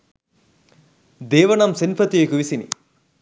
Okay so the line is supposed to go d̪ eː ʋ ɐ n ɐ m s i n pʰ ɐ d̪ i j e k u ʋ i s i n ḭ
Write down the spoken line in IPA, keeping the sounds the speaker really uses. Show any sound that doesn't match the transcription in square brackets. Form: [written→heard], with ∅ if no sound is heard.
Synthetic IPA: d̪ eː ʋ ɐ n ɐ m s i n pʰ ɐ [d̪→t̪] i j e k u ʋ i s i n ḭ